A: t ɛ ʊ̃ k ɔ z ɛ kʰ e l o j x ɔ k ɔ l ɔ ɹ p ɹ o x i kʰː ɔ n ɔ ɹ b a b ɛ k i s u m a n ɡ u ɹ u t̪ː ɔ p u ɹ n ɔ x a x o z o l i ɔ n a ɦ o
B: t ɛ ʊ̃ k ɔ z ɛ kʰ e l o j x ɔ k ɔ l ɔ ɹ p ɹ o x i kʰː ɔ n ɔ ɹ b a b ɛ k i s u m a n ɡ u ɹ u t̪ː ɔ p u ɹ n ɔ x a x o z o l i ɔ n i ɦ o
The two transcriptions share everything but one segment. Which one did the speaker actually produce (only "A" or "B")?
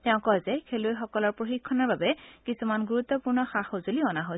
A